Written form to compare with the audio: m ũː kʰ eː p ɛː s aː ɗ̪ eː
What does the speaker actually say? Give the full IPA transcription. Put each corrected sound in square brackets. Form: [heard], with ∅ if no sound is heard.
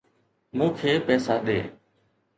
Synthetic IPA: m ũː kʰ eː p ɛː s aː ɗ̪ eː

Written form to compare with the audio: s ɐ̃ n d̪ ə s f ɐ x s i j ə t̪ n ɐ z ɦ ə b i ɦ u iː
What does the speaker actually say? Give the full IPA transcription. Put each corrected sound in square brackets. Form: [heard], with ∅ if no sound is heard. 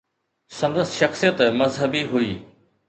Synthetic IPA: s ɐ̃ n d̪ ə s [ʃ] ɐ x s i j ə t̪ [m] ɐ z ɦ ə b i ɦ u iː

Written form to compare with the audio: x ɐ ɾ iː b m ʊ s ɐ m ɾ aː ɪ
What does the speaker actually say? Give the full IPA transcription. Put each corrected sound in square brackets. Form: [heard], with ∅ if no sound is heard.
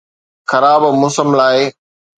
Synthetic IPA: x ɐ ɾ [aː] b m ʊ s [ə] m [l] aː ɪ

